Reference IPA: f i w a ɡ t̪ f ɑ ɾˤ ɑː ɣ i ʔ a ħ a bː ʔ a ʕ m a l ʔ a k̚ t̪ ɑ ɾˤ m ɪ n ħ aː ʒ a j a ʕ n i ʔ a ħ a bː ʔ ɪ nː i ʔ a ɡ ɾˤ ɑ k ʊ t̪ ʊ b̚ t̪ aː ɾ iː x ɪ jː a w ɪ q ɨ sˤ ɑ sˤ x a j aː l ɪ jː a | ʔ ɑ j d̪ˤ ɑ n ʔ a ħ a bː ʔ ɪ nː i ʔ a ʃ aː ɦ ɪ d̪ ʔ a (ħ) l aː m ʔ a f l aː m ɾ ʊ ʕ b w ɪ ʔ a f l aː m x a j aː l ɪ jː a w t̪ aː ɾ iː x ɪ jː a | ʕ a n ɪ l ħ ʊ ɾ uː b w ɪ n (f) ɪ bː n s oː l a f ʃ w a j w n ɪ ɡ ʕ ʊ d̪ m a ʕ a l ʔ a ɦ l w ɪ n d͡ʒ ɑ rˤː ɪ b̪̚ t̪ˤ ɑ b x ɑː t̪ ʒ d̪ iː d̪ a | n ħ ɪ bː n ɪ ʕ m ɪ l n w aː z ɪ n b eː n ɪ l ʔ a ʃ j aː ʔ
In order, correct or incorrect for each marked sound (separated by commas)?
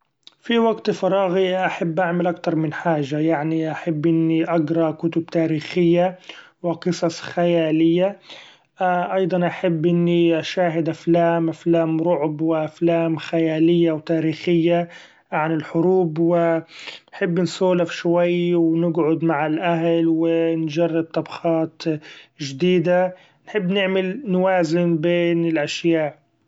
incorrect, incorrect